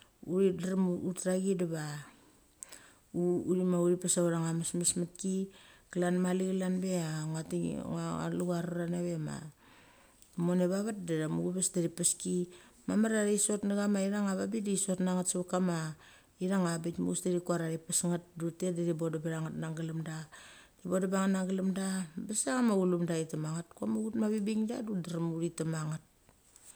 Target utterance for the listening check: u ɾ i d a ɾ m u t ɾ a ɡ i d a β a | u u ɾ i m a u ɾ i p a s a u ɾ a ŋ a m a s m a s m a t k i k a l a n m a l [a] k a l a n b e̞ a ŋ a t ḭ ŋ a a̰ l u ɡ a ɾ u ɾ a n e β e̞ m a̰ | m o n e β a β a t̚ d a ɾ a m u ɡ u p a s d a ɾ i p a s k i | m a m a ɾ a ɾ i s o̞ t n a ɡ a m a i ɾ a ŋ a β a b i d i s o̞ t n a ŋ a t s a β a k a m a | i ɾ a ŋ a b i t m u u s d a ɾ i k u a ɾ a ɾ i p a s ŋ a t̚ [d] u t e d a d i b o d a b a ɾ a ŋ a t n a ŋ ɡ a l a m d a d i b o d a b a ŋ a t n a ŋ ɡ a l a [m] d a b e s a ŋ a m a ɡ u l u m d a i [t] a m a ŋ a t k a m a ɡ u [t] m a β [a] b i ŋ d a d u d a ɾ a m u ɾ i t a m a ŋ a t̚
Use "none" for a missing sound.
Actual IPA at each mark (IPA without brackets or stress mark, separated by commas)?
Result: i, d, m, t, t, i